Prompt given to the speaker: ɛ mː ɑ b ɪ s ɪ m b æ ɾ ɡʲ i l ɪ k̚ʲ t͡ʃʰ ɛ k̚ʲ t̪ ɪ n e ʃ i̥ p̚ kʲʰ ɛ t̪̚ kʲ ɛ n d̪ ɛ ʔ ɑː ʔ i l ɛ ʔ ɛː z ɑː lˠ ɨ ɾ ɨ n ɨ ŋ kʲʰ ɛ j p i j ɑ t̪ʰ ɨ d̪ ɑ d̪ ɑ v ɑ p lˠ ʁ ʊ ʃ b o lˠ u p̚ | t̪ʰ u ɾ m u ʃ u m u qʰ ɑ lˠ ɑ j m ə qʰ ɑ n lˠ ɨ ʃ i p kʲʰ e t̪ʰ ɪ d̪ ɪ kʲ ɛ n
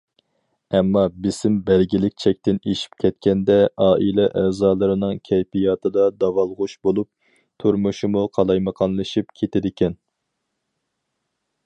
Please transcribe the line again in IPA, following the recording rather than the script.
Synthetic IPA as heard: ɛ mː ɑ b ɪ s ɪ m b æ ɾ ɡʲ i l ɪ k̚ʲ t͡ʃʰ ɛ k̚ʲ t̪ ɪ n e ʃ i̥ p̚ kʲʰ ɛ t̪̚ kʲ ɛ n d̪ ɛ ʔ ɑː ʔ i l ɛ ʔ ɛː z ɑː lˠ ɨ ɾ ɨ n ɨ ŋ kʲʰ ɛ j p i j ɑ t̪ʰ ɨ d̪ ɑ d̪ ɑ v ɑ lˠ ʁ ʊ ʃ b o lˠ u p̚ | t̪ʰ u ɾ m u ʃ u m u qʰ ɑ lˠ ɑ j m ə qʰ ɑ n lˠ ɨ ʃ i p kʲʰ e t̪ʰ ɪ d̪ ɪ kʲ ɛ n

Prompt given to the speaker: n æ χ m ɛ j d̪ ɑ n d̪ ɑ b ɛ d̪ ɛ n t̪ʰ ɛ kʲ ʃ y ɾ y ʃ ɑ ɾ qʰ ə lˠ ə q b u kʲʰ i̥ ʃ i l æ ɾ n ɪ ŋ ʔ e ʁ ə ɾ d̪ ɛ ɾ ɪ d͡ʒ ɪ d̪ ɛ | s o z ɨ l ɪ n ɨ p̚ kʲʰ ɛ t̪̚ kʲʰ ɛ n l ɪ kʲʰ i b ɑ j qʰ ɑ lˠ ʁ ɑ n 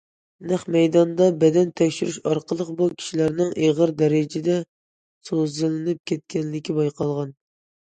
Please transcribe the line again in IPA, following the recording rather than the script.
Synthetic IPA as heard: n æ χ m ɛ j d̪ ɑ n d̪ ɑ b ɛ d̪ ɛ n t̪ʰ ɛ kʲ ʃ y ɾ y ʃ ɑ ɾ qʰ ə lˠ ə q b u kʲʰ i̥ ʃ i l æ ɾ n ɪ ŋ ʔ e ʁ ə ɾ d̪ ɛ ɾ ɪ d͡ʒ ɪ d̪ ɛ | s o z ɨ l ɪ n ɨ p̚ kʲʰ ɛ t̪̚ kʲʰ ɛ n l ɪ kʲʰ i b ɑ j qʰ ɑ lˠ ʁ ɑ n

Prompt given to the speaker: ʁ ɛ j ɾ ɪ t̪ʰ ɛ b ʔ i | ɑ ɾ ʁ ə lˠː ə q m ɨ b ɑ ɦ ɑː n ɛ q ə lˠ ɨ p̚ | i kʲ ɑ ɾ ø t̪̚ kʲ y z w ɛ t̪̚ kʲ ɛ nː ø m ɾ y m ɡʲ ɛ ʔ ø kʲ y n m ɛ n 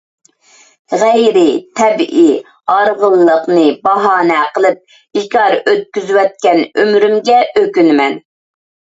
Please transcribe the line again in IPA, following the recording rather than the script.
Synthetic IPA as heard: ʁ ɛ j ɾ ɪ t̪ʰ ɛ b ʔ i | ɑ ɾ ʁ ə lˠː ə q n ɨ b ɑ ɦ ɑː n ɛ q ə lˠ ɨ p̚ | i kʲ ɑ ɾ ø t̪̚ kʲ y z w ɛ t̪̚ kʲ ɛ n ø m ɾ y m ɡʲ ɛ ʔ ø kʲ y n m ɛ n

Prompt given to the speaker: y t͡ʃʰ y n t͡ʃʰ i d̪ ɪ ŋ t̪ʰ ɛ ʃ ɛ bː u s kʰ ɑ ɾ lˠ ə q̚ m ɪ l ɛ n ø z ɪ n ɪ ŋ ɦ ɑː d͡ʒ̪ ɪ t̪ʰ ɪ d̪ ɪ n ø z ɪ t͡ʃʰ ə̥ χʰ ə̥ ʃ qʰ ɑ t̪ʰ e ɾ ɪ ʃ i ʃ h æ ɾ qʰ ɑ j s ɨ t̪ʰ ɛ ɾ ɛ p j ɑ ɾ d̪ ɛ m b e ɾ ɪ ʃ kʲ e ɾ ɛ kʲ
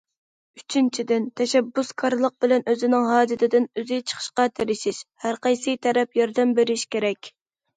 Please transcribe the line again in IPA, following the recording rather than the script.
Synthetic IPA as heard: y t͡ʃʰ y n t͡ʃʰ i d̪ ɪ n t̪ʰ ɛ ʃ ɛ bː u s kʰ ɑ ɾ lˠ ə q̚ b ɪ l ɛ n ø z ɪ n ɪ ŋ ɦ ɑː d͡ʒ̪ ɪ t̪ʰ ɪ d̪ ɪ n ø z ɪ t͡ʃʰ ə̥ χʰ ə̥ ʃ q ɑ t̪ʰ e ɾ ɪ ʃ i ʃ h æ ɾ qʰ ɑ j s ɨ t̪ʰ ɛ ɾ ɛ p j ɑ ɾ d̪ ɛ m b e ɾ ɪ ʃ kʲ e ɾ ɛ kʲ

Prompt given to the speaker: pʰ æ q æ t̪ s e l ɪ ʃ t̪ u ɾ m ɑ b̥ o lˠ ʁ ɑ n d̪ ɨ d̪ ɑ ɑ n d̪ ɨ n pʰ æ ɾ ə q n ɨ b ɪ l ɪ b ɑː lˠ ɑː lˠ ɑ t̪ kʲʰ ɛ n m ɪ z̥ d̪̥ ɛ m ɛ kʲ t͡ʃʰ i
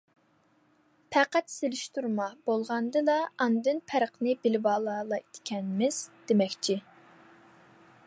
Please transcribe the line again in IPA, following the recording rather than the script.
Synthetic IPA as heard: pʰ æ q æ t̪ s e l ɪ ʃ t̪ u ɾ m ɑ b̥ o lˠ ʁ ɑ n d̪ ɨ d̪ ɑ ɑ n d̪ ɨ n pʰ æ ɾ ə q n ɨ b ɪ l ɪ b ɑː lˠ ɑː lˠ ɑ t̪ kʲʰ ɛ n m ɪ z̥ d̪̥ e m ɛ kʲ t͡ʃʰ i

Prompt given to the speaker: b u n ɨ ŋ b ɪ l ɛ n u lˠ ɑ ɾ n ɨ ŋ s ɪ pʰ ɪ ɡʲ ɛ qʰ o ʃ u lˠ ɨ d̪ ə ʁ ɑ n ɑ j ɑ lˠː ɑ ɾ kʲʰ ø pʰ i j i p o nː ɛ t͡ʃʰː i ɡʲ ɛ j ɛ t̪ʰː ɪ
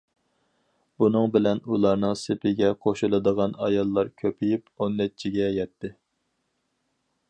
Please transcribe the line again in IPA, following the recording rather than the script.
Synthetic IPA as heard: b u n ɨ ŋ b ɪ l ɛ n u lˠ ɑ ɾ n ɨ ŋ s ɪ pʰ ɪ ɡʲ ɛ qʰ o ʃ u lˠ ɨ d̪ ə ʁ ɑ n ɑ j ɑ lˠː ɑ ɾ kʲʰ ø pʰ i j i p o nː ɛ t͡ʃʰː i ɡʲ ɛ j ɛ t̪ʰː ɪ

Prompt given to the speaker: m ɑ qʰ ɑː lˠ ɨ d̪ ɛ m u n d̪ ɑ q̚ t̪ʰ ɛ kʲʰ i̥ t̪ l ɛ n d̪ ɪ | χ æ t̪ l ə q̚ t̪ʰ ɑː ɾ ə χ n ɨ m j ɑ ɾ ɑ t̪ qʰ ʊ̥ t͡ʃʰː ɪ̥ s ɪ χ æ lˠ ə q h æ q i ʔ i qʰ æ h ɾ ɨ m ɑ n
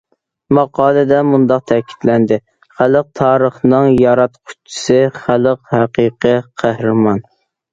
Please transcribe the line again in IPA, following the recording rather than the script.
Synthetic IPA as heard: m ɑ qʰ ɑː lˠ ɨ d̪ ɛ m u n d̪ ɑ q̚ t̪ʰ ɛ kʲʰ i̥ t̪ l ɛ n d̪ ɪ | χ æ l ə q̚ t̪ʰ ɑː ɾ ə χ n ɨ ŋ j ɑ ɾ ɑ t̪ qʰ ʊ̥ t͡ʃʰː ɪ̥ s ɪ χ æ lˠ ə q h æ q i q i qʰ æ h ɾ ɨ m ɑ n

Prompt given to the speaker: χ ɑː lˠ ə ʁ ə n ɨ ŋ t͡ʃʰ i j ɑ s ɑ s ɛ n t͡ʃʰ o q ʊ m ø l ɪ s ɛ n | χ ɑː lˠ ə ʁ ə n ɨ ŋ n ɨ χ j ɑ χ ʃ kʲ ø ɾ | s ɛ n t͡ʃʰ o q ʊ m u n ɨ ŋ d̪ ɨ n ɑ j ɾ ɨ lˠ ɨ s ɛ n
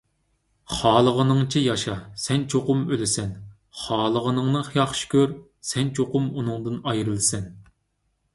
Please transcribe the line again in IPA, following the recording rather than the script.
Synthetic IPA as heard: χ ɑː lˠ ə ʁ ə n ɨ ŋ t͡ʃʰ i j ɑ ʃ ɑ s ɛ n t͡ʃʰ o q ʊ m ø l ɪ s ɛ n | χ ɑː lˠ ə ʁ ə n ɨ ŋ n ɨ χ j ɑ χ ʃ kʲ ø ɾ | s ɛ n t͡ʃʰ o q ʊ m u n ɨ ŋ d̪ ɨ n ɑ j ɾ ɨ lˠ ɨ s ɛ n

